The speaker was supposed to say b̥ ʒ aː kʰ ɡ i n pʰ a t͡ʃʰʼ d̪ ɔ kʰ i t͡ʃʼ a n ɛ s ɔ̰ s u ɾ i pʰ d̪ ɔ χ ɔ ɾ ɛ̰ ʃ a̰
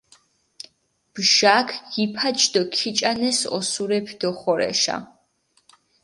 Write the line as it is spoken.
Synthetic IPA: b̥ ʒ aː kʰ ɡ i pʰ a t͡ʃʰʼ d̪ ɔ kʰ i t͡ʃʼ a n ɛ s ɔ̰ s u ɾ ɛ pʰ d̪ ɔ χ ɔ ɾ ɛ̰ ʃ a̰